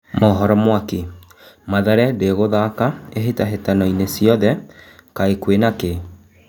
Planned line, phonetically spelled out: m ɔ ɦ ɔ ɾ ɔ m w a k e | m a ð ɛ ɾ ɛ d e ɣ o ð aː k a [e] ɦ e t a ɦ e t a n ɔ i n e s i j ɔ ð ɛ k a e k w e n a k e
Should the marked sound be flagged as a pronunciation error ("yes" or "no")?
no